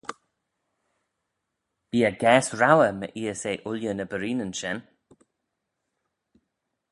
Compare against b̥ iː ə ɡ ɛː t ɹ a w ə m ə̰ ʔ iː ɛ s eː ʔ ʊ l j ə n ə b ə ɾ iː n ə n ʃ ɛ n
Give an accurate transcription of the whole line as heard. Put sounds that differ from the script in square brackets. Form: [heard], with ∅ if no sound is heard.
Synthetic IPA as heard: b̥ iː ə ɡ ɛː [s] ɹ a w ə m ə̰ ʔ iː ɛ s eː ʔ ʊ l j ə n ə b ə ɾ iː n ə n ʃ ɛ n